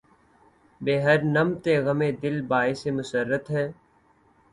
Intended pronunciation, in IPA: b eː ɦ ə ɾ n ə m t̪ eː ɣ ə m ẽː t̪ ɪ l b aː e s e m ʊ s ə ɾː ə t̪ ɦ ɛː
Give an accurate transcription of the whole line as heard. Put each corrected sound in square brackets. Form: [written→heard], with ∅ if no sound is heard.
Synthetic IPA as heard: b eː ɦ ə ɾ n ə m t̪ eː ɣ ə m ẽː [t̪→d̪] ɪ l b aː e s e m ʊ s ə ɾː ə t̪ ɦ ɛː